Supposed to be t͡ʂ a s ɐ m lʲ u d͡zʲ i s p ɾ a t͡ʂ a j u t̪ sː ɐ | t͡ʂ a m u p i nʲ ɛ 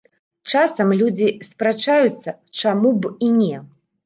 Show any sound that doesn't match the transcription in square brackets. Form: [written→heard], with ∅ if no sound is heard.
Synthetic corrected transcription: t͡ʂ a s ɐ m lʲ u d͡zʲ i s p ɾ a t͡ʂ a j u t̪ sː ɐ | t͡ʂ a m u [p→b] i nʲ ɛ